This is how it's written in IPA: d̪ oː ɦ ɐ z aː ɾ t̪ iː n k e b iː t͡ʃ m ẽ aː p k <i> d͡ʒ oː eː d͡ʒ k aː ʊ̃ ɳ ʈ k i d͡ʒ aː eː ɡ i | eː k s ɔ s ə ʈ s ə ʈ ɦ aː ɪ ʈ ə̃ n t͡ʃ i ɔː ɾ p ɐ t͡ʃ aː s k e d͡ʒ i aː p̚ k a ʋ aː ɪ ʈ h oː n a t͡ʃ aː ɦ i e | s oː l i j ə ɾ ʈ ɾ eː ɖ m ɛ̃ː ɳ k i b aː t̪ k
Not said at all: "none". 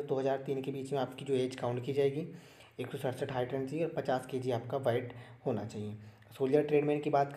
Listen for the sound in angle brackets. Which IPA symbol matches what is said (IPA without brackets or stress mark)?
i